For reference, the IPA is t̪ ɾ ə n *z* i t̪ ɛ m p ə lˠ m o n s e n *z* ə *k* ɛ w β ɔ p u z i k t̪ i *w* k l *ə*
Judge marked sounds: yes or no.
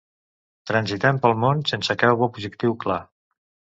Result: yes, no, yes, yes, no

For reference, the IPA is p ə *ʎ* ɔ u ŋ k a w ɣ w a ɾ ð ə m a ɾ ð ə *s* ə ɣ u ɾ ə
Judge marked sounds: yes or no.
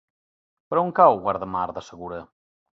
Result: no, yes

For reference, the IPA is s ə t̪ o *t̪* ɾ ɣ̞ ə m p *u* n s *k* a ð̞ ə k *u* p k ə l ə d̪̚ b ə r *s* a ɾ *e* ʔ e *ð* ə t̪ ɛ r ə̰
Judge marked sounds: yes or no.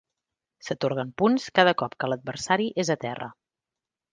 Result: no, yes, yes, no, yes, no, no

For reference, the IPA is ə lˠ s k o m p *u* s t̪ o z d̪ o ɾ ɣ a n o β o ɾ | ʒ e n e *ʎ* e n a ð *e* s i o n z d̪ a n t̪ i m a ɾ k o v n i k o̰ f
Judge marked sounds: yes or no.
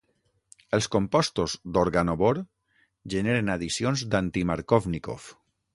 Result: no, no, no

